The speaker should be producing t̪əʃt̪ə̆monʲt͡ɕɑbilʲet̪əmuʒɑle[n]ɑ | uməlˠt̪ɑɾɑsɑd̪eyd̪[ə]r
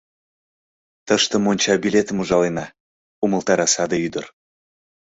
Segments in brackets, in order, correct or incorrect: correct, correct

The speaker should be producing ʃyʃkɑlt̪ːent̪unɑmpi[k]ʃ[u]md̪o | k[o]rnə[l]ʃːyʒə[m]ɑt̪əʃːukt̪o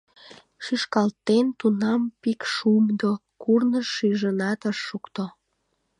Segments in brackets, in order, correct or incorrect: correct, correct, incorrect, incorrect, incorrect

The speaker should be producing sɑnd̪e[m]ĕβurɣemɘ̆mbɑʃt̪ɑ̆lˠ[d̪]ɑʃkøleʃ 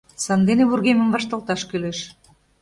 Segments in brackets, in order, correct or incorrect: incorrect, incorrect

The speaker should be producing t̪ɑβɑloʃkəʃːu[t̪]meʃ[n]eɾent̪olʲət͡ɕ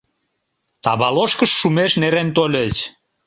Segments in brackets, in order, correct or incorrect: incorrect, correct

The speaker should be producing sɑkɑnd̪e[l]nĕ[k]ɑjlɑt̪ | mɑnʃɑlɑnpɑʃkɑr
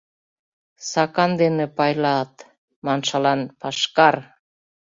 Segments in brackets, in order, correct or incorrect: incorrect, incorrect

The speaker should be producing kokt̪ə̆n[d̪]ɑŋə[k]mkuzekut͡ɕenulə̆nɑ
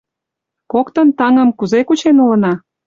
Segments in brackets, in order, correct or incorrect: incorrect, incorrect

